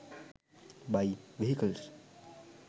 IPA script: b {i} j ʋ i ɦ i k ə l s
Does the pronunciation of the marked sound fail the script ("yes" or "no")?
yes